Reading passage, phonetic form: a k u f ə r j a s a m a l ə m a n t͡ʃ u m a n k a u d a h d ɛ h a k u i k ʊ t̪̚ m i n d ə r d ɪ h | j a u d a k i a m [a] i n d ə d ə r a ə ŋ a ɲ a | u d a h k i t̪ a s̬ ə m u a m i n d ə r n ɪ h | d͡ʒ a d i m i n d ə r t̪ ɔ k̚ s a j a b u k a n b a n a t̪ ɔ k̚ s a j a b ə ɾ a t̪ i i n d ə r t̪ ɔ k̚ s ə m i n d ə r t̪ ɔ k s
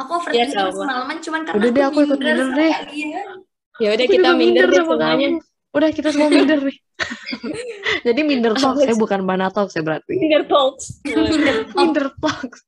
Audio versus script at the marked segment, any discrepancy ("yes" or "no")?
yes